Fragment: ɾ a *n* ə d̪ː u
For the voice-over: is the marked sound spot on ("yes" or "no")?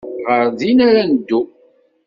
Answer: yes